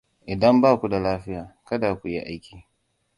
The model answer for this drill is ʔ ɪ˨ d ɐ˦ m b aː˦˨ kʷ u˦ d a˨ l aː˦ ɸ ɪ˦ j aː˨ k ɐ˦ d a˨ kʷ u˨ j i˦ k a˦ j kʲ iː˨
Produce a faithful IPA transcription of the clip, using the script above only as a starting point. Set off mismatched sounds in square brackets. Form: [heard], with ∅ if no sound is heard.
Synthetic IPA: ʔ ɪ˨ d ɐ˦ m b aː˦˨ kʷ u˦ d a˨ l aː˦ ɸ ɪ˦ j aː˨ k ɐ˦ d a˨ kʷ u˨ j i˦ [ʔ] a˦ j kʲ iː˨